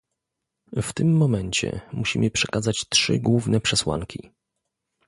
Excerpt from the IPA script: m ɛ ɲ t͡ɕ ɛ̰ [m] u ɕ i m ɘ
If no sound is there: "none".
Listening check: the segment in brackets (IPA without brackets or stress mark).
m